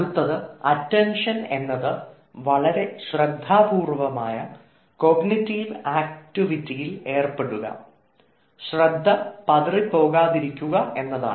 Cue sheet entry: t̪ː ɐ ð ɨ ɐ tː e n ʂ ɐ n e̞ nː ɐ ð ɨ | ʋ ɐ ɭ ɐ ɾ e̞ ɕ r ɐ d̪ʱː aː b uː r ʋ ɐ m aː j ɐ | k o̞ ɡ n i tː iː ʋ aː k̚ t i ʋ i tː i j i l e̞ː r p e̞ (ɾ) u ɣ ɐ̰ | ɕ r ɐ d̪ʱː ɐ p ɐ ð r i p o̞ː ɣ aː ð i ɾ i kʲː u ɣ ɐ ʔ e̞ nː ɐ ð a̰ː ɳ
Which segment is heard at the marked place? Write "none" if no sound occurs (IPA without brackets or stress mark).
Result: ɽ